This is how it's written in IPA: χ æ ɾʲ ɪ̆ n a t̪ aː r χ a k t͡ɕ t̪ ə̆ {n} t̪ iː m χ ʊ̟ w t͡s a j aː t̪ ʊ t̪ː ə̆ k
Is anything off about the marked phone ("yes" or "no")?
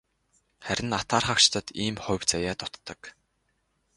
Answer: yes